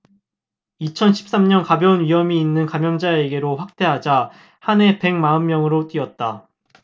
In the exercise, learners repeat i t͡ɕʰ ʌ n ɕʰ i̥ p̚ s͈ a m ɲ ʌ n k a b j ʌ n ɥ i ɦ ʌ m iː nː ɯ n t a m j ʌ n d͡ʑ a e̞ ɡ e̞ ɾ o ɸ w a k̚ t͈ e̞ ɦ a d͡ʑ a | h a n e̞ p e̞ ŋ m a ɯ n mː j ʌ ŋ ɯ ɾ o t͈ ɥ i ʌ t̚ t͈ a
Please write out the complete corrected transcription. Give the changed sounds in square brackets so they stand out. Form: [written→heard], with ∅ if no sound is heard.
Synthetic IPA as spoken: i t͡ɕʰ ʌ n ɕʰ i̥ p̚ s͈ a m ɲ ʌ n k a b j ʌ n ɥ i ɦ ʌ m iː nː ɯ n [t→k] a m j ʌ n d͡ʑ a e̞ ɡ e̞ ɾ o ɸ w a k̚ t͈ e̞ ɦ a d͡ʑ a | h a n e̞ p e̞ ŋ m a ɯ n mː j ʌ ŋ ɯ ɾ o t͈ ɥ i ʌ t̚ t͈ a